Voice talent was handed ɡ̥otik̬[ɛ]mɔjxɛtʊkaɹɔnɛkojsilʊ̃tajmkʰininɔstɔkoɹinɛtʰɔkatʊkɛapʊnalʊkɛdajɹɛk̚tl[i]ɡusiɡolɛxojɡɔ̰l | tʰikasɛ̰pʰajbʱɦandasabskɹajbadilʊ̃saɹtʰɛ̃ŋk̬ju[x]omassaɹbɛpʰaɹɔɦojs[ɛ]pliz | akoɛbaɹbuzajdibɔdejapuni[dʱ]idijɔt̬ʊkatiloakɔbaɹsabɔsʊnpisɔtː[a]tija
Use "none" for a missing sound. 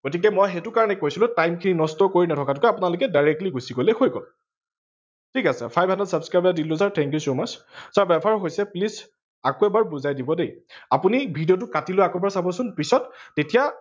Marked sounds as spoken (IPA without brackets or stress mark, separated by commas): ɛ, i, s, ɛ, bʱ, e